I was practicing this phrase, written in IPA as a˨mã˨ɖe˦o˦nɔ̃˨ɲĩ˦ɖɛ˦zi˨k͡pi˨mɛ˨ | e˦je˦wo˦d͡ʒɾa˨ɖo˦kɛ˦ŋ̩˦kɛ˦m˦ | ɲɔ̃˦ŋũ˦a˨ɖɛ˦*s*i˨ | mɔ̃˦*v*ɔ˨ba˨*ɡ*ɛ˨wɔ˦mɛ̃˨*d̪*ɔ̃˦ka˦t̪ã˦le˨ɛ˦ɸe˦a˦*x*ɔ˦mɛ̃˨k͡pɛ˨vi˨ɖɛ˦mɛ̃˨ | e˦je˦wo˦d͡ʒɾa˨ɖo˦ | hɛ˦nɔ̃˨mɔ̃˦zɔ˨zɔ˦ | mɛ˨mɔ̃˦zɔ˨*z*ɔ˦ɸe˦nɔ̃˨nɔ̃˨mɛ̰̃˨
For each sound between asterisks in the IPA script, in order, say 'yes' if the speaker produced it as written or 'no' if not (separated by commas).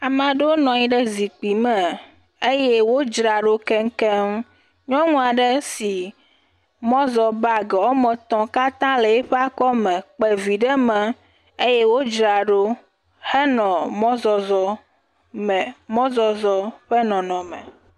yes, no, yes, no, no, yes